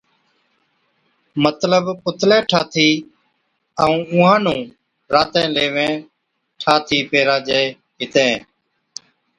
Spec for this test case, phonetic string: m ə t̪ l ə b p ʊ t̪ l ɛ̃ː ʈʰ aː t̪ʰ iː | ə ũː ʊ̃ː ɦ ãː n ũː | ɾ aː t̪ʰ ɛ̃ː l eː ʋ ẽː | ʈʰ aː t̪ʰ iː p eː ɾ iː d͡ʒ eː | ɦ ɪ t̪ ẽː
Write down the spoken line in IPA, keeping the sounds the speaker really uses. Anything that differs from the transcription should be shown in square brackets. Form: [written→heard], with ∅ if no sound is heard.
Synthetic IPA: m ə t̪ l ə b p ʊ t̪ l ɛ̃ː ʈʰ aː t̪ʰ iː | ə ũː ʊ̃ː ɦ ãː n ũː | ɾ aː [t̪ʰ→t̪] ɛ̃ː l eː ʋ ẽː | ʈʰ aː t̪ʰ iː p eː ɾ [iː→aː] d͡ʒ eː | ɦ ɪ t̪ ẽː